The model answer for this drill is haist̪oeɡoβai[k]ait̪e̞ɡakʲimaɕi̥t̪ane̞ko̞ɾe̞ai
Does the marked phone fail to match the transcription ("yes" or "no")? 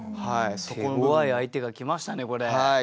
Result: yes